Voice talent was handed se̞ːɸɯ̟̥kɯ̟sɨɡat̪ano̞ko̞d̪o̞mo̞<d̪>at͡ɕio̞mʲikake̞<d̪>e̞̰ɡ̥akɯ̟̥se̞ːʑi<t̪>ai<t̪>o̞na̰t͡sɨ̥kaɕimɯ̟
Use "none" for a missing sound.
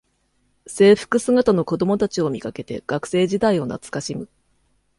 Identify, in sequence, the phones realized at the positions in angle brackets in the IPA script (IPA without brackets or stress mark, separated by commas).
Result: t̪, t̪, d̪, none